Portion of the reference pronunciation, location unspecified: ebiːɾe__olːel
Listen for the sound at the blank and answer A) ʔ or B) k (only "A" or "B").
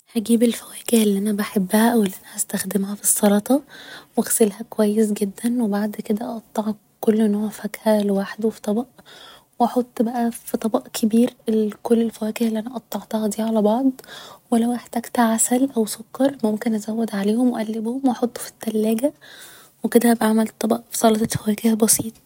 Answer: B